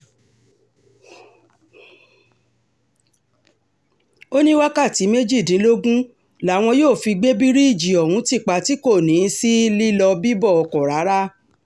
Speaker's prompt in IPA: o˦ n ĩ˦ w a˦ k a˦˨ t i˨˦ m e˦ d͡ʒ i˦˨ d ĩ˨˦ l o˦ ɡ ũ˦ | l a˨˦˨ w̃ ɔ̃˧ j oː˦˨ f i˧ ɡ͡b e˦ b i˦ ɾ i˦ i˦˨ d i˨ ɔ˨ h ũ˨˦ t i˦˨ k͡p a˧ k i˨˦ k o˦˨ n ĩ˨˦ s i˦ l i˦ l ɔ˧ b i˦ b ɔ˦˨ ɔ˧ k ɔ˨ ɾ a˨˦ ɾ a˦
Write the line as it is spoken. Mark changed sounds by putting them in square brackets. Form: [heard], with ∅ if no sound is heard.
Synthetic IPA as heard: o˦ n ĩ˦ w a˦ k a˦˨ t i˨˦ m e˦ d͡ʒ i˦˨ d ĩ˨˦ l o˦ ɡ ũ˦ | l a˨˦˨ w̃ ɔ̃˧ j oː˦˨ f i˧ ɡ͡b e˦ b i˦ ɾ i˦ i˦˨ [d͡ʒ] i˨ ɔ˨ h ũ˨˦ t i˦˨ k͡p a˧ [t] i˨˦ k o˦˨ n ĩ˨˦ s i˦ l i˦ l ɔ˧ b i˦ b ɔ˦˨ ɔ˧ k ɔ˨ ɾ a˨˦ ɾ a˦